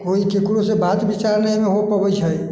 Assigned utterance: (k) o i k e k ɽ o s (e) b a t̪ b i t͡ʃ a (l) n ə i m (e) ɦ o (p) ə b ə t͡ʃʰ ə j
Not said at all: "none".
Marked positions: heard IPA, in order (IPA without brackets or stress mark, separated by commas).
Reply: k, e, ɾ, e, p